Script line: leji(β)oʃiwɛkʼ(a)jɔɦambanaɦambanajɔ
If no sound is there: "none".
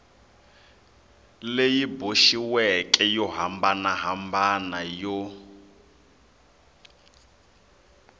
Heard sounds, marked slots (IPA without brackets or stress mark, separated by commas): b, ɛ